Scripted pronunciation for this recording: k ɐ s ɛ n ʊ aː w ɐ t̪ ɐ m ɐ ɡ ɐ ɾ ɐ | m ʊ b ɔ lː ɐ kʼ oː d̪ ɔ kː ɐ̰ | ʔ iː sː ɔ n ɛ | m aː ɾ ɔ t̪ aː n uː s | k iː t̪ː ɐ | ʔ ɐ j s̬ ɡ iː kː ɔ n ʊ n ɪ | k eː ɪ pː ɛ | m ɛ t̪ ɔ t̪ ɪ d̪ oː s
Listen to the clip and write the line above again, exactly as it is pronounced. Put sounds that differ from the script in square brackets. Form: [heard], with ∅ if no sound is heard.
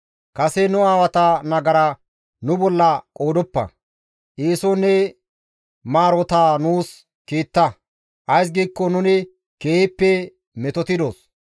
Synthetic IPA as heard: k ɐ s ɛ n ʊ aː w ɐ t̪ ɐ [n] ɐ ɡ ɐ ɾ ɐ | [n] ʊ b ɔ lː ɐ kʼ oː d̪ ɔ [pː] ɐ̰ | ʔ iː [s] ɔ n ɛ | m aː ɾ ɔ t̪ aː n uː s | k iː t̪ː ɐ | ʔ ɐ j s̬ ɡ iː kː ɔ n ʊ n ɪ | k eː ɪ pː ɛ | m ɛ t̪ ɔ t̪ ɪ d̪ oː s